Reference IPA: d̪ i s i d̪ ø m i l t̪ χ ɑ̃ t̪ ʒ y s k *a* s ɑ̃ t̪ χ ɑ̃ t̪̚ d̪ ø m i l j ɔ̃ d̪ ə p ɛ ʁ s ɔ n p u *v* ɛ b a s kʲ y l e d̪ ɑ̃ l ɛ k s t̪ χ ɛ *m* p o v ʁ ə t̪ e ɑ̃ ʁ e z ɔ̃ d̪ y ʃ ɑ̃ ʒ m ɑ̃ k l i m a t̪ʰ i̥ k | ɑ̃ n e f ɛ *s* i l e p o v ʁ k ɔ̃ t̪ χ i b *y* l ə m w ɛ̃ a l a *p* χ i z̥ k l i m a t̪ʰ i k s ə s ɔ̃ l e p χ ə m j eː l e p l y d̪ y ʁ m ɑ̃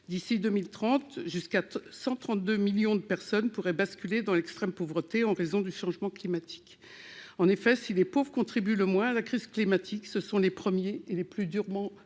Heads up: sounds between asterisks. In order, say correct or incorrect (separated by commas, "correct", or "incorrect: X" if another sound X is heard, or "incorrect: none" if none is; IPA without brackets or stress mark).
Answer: correct, incorrect: ʁ, correct, correct, correct, incorrect: k